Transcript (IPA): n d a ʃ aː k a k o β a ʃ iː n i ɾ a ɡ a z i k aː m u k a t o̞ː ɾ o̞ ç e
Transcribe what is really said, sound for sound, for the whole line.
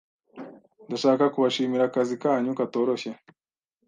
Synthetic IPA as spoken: n d a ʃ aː k a k u β a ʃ iː m i ɾ a k a z i k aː ɲ u k a t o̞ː ɾ o̞ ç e